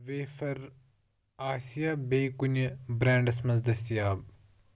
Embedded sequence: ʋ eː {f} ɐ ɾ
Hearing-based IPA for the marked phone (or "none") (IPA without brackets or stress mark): f